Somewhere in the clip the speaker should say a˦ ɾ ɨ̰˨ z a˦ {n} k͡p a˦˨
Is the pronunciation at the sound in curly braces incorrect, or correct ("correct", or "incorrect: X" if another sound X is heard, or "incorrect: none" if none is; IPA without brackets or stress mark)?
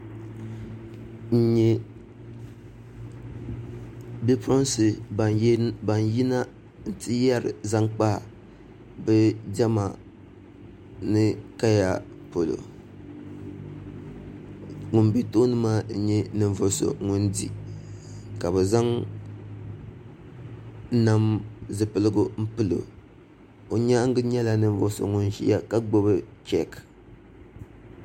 incorrect: ŋ